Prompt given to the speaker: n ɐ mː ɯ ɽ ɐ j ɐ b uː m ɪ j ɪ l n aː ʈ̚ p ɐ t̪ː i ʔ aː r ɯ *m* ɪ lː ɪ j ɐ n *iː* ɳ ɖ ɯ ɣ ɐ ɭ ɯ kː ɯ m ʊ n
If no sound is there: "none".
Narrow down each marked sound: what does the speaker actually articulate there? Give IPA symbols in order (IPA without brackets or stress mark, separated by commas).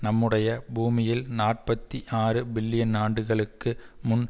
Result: b, aː